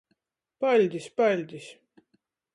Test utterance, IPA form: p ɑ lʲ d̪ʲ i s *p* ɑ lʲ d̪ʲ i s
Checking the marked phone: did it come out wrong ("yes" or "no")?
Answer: no